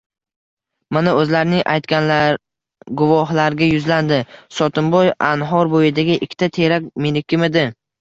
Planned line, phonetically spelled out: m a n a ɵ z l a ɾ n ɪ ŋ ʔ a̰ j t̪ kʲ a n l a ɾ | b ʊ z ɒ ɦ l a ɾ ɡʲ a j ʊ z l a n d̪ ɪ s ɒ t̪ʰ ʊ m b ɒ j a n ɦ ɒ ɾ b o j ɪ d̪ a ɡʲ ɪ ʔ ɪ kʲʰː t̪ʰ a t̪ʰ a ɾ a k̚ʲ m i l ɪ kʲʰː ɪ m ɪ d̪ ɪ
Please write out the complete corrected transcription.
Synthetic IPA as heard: m a n a ɵ z l a ɾ n ɪ ŋ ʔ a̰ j t̪ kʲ a n l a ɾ | ɡ ʊ v ɒ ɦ l a ɾ ɡʲ a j ʊ z l a n d̪ ɪ s ɒ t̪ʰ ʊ m b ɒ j a n ɦ ɒ ɾ b o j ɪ d̪ a ɡʲ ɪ ʔ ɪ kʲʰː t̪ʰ a t̪ʰ e ɾ a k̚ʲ m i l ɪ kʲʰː ɪ m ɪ d̪ ɪ